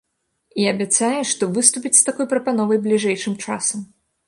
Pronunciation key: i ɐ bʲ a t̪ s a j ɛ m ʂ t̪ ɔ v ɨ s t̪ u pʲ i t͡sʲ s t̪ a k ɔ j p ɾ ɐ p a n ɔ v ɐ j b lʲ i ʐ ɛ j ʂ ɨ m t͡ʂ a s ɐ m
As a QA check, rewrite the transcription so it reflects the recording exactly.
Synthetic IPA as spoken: i ɐ bʲ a t̪ s a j ɛ ʂ t̪ ɔ v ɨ s t̪ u pʲ i t͡sʲ s t̪ a k ɔ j p ɾ ɐ p a n ɔ v ɐ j b lʲ i ʐ ɛ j ʂ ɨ m t͡ʂ a s ɐ m